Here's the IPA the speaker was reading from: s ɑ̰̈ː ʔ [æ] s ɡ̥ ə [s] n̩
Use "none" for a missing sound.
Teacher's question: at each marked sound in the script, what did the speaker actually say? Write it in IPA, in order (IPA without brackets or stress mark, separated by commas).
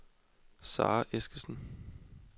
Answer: e, s